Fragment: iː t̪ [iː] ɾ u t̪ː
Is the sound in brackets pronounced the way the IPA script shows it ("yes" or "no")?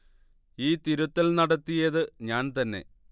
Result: no